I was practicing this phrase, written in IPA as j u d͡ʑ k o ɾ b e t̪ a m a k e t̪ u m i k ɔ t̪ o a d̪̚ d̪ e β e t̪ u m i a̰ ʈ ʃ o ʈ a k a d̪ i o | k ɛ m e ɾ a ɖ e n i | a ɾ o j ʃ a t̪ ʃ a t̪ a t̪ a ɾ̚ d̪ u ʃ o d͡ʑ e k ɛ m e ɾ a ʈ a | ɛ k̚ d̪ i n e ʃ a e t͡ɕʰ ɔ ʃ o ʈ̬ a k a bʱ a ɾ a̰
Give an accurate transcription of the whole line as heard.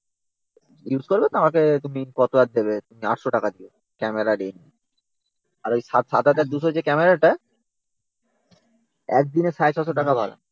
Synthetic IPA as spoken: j u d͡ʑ k o ɾ b e t̪ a m a k e t̪ u m i k ɔ t̪ o a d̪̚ d̪ e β e t̪ u m i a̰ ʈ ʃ o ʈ a k a d̪ i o | k ɛ m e ɾ a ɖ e n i | a ɾ o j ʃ a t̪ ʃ a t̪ a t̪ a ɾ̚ d̪ u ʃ o d͡ʑ e k ɛ m e ɾ a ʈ a | ɛ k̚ d̪ i n e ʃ a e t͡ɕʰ ɔ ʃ o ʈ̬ a k a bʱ a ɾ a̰